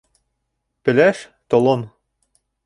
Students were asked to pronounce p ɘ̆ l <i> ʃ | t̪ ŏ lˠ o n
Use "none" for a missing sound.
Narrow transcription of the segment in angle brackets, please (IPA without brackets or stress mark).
æ